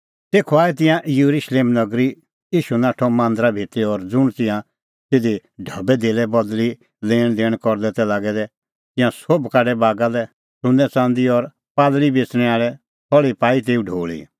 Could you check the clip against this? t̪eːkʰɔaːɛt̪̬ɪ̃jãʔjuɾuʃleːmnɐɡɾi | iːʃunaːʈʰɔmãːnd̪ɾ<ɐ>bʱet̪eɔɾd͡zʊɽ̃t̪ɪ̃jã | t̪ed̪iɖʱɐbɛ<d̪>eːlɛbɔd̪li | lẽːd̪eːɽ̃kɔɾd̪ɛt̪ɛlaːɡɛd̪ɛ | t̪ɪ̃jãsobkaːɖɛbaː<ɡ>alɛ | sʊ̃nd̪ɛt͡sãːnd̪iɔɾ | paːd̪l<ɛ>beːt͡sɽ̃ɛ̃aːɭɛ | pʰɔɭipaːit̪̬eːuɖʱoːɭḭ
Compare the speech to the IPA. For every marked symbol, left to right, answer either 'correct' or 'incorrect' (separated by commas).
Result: incorrect, correct, correct, incorrect